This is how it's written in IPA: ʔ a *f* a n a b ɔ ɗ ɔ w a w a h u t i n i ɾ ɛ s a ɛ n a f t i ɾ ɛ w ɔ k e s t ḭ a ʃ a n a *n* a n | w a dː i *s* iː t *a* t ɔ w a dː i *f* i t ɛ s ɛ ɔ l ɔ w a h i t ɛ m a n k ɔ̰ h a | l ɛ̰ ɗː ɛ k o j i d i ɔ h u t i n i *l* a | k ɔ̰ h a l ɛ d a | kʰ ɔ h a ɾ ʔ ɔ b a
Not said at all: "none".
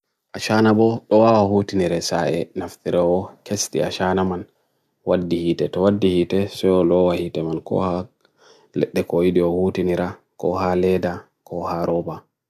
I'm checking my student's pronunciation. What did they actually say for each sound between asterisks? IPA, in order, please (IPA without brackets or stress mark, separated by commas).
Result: ʃ, m, h, ɛ, h, ɾ